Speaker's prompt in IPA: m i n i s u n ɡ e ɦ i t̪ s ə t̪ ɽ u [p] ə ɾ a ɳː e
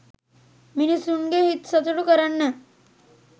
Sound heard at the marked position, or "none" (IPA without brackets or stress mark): k